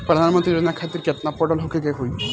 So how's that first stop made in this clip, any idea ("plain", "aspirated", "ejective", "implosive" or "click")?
plain